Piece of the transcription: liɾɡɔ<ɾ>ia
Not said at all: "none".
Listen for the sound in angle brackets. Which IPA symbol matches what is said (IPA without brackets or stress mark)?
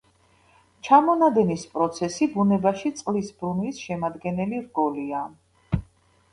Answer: l